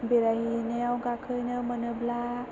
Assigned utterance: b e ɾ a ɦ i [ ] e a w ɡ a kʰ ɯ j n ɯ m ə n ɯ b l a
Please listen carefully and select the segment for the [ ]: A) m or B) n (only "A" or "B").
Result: B